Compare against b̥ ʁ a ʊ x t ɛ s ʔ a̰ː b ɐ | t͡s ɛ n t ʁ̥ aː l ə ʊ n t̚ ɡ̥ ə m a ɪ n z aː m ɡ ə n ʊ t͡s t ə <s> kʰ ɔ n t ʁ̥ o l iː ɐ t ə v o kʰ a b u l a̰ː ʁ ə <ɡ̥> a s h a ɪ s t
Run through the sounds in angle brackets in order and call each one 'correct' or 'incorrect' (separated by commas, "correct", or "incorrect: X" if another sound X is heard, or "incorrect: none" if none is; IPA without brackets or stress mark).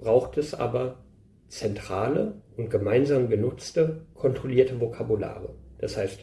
incorrect: none, incorrect: d̥